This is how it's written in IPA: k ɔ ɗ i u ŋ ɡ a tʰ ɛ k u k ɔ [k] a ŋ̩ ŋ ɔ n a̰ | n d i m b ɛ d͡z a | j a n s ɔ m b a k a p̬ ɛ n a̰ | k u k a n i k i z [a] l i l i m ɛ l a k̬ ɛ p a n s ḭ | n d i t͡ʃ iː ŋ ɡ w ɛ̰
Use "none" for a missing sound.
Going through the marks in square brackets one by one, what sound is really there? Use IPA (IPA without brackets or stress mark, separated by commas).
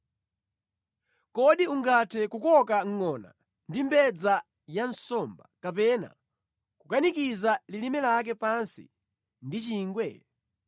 k, a